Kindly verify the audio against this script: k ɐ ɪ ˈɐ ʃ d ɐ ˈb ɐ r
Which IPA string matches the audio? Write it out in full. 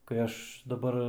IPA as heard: k ɐ ɪ ˈɐ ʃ d ɐ ˈb ɐ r